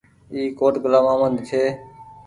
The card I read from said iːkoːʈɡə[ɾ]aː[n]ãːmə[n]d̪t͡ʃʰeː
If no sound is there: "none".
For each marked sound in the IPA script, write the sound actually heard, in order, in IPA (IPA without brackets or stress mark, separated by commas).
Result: l, m, n